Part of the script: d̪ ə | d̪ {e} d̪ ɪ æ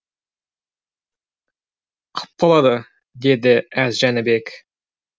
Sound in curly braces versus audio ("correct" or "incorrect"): correct